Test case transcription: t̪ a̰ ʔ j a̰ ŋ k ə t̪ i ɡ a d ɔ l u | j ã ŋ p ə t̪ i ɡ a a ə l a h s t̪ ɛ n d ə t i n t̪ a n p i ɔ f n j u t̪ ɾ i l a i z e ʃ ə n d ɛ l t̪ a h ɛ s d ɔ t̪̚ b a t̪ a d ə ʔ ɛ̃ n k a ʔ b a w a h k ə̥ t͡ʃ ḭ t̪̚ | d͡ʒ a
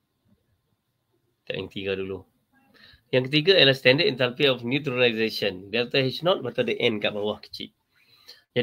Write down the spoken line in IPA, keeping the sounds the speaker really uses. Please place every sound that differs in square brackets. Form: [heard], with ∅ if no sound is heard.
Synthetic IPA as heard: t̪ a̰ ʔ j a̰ ŋ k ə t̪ i ɡ a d [u] l u | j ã ŋ [k] ə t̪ i ɡ a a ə l a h s t̪ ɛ n d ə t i n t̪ a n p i ɔ f n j u t̪ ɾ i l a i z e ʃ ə n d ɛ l t̪ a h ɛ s [n] ɔ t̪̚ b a t̪ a d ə ʔ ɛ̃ n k a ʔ b a w a h k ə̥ t͡ʃ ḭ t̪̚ | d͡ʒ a